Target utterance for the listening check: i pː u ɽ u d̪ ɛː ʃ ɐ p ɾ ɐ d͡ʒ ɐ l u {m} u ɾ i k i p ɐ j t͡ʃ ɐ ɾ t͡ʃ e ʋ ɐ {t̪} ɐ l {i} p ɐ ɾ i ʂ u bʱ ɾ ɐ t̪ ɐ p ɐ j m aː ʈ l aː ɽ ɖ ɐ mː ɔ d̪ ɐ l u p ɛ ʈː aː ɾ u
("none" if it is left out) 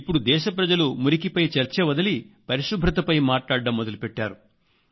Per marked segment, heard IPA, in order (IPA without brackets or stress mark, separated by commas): m, d̪, i